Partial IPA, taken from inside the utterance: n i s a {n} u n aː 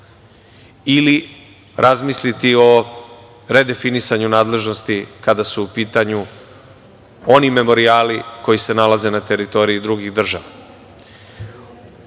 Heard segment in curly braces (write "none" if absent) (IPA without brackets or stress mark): ɲ